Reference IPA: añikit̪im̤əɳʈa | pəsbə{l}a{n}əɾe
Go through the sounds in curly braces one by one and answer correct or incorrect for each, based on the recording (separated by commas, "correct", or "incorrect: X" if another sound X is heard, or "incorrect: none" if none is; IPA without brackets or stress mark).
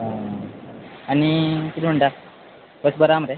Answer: incorrect: ɾ, incorrect: m